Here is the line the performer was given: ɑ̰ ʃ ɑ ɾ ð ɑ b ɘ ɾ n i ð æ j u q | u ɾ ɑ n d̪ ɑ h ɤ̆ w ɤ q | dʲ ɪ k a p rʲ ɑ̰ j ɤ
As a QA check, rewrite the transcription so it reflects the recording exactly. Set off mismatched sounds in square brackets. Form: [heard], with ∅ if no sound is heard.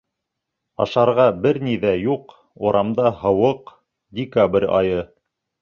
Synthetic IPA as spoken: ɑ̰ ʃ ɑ ɾ [ʁ] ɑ b ɘ ɾ n i ð æ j u q | u ɾ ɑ [m] d̪ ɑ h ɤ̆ w ɤ q | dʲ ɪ k a [b] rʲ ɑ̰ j ɤ